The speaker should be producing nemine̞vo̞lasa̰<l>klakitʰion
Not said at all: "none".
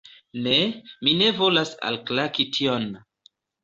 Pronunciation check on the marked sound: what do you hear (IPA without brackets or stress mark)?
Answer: l